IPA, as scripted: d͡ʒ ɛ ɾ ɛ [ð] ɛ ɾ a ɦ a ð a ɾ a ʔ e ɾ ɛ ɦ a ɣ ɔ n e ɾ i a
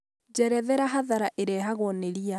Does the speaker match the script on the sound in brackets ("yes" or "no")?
yes